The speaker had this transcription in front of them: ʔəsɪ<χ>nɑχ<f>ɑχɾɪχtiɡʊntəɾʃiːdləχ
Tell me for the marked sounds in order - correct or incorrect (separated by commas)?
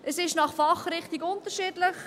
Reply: incorrect, correct